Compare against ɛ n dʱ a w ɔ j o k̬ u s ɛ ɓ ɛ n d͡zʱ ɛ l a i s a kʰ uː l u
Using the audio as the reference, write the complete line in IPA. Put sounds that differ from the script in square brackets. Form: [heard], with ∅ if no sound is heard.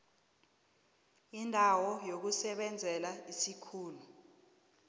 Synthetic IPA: [i] n dʱ a w ɔ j o k̬ u s ɛ ɓ ɛ n d͡zʱ ɛ l a i s [i] kʰ uː l u